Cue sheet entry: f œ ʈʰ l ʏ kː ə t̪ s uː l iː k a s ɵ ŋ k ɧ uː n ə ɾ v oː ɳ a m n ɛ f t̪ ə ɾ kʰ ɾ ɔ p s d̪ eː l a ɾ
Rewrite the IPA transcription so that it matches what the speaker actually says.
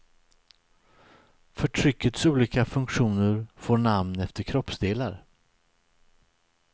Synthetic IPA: f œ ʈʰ ɾ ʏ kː ə t̪ s uː l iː k a f ɵ ŋ k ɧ uː n ə ɾ f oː ɳ a m n ɛ f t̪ ə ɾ kʰ ɾ ɔ p s d̪ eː l a ɾ